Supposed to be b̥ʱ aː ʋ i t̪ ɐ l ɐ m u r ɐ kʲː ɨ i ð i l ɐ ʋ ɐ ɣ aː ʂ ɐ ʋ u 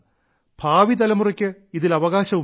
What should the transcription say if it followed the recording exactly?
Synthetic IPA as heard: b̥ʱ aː ʋ i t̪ ɐ l ɐ m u r ɐ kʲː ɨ i ð i l ɐ ʋ ɐ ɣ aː ɕ ɐ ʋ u